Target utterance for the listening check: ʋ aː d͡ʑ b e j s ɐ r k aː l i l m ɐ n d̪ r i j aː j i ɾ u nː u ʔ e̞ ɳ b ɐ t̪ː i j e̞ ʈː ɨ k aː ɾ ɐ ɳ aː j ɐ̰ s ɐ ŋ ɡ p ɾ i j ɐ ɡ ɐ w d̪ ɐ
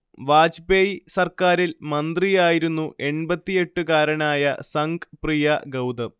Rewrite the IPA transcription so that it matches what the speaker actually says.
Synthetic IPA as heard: ʋ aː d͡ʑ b e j s ɐ r k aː ɾ i l m ɐ n d̪ r i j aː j i ɾ u nː u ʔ e̞ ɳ b ɐ t̪ː i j e̞ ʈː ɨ k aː ɾ ɐ ɳ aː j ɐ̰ s ɐ ŋ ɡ p r i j ɐ ɡ ɐ w d̪ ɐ